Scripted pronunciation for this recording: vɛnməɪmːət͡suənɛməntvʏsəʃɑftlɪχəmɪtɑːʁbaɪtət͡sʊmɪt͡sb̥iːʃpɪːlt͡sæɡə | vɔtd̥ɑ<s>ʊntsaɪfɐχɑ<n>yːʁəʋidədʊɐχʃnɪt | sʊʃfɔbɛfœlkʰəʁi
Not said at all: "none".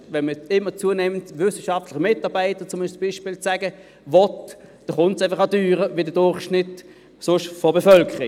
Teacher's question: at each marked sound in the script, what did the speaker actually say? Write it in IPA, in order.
χ, d

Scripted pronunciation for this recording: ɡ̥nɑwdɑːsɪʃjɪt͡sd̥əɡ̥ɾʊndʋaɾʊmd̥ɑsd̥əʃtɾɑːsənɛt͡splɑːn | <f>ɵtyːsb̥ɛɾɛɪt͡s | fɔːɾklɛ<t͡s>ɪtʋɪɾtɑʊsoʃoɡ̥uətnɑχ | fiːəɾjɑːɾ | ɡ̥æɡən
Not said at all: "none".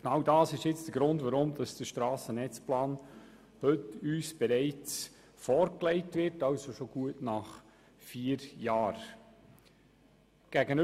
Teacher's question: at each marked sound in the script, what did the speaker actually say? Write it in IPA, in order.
h, none

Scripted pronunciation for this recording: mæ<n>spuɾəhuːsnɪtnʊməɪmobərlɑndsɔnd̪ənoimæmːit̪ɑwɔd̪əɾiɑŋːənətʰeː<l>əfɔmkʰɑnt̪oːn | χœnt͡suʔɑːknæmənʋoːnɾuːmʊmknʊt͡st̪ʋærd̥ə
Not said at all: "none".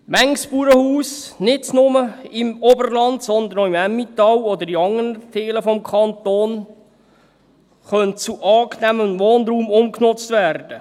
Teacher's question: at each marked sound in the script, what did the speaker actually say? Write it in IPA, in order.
ŋ, l

